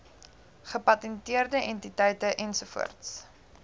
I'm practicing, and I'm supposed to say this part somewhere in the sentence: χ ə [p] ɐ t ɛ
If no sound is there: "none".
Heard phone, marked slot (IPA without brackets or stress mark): p